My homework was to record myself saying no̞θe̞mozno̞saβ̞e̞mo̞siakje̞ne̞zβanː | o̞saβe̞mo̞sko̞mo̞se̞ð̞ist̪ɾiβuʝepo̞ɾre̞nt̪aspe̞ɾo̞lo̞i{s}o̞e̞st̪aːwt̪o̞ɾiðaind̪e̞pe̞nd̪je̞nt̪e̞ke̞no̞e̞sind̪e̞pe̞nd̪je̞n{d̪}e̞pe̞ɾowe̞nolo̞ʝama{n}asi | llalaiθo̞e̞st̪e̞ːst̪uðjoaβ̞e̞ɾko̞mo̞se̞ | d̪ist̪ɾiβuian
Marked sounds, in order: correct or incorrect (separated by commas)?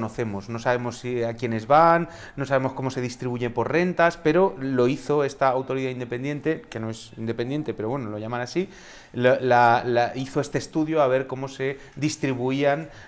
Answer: incorrect, incorrect, correct